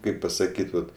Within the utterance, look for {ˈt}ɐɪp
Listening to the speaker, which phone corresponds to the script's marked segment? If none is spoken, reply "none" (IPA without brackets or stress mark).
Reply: k